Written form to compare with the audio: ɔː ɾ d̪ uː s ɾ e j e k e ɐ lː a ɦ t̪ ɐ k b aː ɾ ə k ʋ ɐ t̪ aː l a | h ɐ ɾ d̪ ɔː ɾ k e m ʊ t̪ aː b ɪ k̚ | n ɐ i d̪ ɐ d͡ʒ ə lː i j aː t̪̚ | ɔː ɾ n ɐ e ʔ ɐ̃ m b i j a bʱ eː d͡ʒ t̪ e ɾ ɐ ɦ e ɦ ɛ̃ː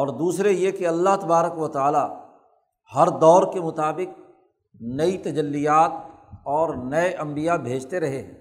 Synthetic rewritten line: ɔː ɾ d̪ uː s ɾ e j e k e ɐ lː a ɦ t̪ ɐ b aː ɾ ə k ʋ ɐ t̪ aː l a | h ɐ ɾ d̪ ɔː ɾ k e m ʊ t̪ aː b ɪ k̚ | n ɐ i t̪ ɐ d͡ʒ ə lː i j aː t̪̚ | ɔː ɾ n ɐ e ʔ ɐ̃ m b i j a bʱ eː d͡ʒ t̪ e ɾ ɐ ɦ e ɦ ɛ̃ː